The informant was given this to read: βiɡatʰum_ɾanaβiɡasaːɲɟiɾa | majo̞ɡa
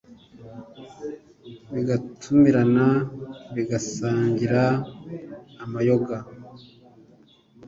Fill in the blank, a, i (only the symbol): i